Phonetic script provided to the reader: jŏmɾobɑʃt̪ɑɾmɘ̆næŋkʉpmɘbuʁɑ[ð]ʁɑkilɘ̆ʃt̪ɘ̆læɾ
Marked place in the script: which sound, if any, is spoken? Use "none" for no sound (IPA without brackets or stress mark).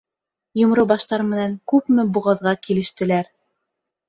ð